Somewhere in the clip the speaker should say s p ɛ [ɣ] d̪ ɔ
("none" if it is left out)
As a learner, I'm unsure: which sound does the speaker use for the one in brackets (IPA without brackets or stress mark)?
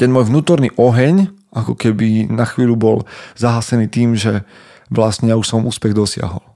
ɣ